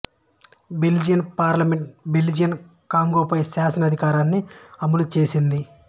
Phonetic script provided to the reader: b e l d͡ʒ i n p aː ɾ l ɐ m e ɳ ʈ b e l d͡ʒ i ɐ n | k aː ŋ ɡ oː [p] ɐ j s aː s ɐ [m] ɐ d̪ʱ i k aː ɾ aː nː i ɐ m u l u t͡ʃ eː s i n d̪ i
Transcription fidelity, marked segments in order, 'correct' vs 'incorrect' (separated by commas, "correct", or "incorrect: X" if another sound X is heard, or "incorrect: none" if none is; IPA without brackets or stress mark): correct, incorrect: n